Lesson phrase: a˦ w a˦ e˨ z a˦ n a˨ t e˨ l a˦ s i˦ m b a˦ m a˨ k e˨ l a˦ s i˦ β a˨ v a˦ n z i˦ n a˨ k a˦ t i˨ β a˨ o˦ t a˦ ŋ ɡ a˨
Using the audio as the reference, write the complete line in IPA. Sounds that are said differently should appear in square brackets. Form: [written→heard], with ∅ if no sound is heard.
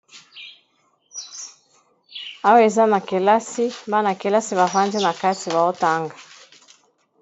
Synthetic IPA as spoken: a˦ w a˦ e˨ z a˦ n a˨ [t→k] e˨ l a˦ s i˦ m b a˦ [m→n] a˨ k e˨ l a˦ s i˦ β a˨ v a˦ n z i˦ n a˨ k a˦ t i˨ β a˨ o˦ t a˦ ŋ ɡ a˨

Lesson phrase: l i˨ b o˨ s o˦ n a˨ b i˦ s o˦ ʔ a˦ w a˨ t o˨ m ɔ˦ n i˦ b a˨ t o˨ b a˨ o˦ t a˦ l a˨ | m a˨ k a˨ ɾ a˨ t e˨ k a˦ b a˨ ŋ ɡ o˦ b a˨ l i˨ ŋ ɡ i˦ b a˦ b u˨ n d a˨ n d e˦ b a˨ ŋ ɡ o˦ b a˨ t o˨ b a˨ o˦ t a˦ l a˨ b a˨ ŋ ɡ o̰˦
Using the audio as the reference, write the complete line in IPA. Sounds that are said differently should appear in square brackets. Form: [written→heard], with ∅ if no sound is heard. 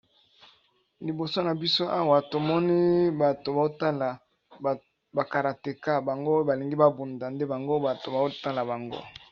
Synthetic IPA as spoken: l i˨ b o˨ s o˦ n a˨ b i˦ s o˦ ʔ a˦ w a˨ t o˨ m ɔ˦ n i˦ b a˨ t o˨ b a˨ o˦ t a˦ l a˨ | [m→b] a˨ k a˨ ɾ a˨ t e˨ k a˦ b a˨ ŋ ɡ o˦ b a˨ l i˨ ŋ ɡ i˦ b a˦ b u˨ n d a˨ n d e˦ b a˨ ŋ ɡ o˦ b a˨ t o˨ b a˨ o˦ t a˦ l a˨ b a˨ ŋ ɡ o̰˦

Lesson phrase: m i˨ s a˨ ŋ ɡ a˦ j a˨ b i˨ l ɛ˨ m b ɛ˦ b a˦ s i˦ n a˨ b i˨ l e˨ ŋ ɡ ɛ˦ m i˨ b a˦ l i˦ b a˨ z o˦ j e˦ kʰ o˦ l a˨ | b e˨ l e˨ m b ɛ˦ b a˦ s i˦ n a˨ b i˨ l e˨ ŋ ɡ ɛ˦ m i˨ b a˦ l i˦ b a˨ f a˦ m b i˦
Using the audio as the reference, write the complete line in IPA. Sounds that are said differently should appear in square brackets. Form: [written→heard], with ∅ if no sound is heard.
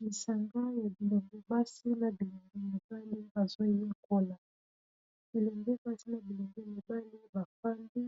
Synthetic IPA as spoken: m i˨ s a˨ ŋ ɡ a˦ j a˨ b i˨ l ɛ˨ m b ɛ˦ b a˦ s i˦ n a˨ b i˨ l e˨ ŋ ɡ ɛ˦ m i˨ b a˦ l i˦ b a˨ z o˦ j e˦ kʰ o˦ l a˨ | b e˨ l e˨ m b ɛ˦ b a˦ s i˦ n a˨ b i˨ l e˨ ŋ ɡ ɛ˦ m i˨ b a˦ l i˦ b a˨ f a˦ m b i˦

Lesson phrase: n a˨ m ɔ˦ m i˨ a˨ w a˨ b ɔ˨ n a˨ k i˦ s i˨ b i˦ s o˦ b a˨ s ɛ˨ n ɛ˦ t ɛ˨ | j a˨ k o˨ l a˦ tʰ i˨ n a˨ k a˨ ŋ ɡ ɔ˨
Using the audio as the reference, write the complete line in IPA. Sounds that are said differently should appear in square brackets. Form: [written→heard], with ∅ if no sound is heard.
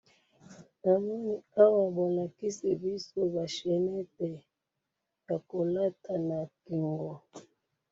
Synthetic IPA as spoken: n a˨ m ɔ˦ [m→n] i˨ [a˨→a˦] w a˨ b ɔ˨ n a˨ k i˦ s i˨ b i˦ s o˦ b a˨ [s→ʃ] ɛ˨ n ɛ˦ t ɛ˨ | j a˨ k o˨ l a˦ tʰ [i˨→a˨] n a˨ k [a˨→i˨] ŋ ɡ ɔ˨

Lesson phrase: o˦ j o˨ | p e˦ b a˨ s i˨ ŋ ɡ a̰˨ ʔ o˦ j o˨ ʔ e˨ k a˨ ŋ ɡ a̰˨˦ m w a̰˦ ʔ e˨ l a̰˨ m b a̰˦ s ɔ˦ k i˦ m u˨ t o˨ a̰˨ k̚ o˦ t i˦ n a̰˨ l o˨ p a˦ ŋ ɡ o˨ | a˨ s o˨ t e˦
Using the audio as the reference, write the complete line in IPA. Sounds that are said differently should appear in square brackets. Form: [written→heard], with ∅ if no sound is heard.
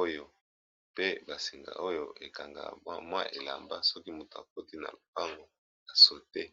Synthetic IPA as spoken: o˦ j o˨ | p e˦ b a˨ s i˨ ŋ ɡ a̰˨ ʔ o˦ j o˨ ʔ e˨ k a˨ ŋ ɡ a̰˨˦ m w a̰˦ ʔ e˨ l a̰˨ m b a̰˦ s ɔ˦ k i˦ m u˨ t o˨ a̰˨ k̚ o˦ t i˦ n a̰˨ l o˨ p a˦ ŋ ɡ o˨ | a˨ s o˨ t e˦

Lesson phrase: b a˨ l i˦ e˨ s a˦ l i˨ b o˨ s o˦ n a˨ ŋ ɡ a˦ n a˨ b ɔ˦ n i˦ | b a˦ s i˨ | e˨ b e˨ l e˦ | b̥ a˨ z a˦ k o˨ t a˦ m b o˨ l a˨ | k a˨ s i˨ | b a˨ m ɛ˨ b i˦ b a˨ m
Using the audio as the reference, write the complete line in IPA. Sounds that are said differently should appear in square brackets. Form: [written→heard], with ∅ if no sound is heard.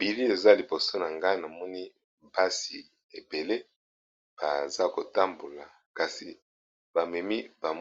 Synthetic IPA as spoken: b [a˨→i˨] l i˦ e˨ [s→z] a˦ l i˨ b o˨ s o˦ n a˨ ŋ ɡ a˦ n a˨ [b→m] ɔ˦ n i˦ | b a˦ s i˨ | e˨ b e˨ l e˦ | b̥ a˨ z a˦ k o˨ t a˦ m b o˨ l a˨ | k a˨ s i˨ | b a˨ m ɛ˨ [b→m] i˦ b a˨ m

